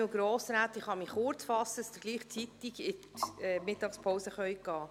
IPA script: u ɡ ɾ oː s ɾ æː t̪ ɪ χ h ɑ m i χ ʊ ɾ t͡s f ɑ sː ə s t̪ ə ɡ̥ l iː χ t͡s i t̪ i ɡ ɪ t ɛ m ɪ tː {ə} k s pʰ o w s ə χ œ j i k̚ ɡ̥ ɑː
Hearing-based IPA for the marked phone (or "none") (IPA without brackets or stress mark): ɑ